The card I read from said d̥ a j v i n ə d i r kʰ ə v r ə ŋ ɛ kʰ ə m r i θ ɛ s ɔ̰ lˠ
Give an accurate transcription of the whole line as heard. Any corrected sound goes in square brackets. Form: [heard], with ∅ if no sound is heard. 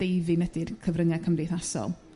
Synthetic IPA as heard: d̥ [e] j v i n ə d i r kʰ ə v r ə ŋ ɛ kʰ ə m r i θ [a] s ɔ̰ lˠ